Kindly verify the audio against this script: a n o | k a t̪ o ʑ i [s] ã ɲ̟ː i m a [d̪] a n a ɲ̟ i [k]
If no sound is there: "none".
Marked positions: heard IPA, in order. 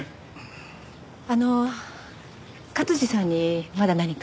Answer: s, d̪, k

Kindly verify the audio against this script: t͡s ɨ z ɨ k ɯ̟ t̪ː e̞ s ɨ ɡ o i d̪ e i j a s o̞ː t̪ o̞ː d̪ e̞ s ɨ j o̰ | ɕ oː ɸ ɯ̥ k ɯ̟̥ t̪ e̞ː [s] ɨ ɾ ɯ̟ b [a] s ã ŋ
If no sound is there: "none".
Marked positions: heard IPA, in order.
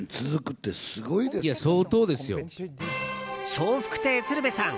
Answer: t͡s, e

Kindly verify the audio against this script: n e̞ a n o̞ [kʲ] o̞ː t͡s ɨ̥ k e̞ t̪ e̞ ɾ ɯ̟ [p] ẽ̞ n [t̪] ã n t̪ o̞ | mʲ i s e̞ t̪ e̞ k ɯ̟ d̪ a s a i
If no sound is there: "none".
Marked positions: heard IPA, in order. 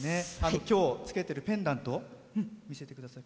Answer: kʲ, p, d̪

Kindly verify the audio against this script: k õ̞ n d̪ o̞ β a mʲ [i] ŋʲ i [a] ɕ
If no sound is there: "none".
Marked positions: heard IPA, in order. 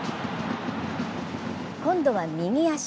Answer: i, a

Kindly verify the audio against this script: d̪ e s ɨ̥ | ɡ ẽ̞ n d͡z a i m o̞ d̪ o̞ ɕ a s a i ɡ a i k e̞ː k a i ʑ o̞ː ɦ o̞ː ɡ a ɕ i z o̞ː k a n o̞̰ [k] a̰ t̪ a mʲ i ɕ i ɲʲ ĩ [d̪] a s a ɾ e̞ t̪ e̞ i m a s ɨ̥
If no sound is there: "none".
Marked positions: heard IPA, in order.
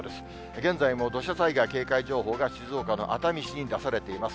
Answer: ʔ, d̪

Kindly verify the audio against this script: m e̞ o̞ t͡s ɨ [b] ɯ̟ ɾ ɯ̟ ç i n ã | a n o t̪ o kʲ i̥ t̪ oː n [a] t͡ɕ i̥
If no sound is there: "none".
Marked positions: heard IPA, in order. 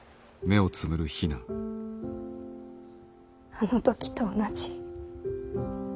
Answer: m, a

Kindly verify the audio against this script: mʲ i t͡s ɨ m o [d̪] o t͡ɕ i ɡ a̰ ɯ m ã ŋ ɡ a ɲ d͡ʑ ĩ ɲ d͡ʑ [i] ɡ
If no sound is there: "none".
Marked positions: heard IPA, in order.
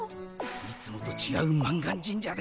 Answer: t̪, a

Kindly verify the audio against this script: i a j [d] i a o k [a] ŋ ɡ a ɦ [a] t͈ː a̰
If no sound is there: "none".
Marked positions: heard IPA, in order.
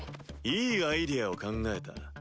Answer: d, a, e

